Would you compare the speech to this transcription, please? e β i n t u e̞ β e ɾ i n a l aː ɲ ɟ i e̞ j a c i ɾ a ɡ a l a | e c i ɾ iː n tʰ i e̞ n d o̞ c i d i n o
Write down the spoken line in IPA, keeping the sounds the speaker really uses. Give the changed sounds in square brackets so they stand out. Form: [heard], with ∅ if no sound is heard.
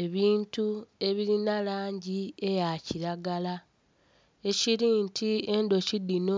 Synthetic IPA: e β [iː] n t u e̞ β [i] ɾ i n a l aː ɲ ɟ i e̞ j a c i ɾ a ɡ a l a | e c i ɾ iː n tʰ i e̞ n d o̞ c i d i n o